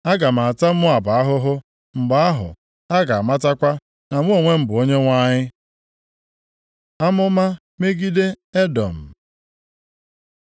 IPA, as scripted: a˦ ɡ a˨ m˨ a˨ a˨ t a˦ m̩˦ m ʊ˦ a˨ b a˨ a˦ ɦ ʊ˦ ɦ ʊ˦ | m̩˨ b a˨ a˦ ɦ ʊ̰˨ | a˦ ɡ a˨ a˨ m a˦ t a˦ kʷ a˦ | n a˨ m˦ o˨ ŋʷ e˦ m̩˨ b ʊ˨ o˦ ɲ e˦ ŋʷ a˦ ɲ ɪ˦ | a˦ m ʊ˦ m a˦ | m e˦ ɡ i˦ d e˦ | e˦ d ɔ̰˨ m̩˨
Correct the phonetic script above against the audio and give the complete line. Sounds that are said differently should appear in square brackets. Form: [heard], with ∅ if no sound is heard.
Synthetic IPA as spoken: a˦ ɡ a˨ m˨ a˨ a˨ t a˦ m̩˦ m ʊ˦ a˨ b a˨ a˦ ɦ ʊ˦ ɦ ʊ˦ | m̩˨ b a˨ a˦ ɦ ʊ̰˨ | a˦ ɡ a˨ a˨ m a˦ t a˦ kʷ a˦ | n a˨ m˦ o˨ ŋʷ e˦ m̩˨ b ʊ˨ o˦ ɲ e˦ ŋʷ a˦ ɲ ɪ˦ | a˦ m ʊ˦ m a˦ | m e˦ ɡ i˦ d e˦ | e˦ d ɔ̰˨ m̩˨